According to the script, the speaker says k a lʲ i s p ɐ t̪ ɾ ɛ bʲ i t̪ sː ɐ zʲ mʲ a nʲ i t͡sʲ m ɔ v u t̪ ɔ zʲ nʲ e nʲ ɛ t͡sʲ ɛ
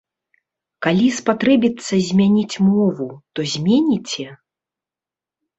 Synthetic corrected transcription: k a lʲ i s p a t̪ ɾ ɛ bʲ i t̪ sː ɐ zʲ mʲ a nʲ i t͡sʲ m ɔ v u t̪ ɔ zʲ mʲ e nʲ i t͡sʲ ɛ